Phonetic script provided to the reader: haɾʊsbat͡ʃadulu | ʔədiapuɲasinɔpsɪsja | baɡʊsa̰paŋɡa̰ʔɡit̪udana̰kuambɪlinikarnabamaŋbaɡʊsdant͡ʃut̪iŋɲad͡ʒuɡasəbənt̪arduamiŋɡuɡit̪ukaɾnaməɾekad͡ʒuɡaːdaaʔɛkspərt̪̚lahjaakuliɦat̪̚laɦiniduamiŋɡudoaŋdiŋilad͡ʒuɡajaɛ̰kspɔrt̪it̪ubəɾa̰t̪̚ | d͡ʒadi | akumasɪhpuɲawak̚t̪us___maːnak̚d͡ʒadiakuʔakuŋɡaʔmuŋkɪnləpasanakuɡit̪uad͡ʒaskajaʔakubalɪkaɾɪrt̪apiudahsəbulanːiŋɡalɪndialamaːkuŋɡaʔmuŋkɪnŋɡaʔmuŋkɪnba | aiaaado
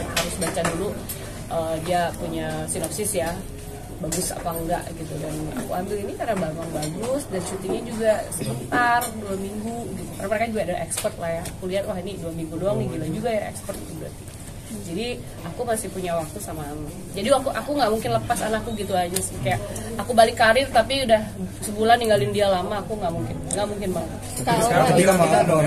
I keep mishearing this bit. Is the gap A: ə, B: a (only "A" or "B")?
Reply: B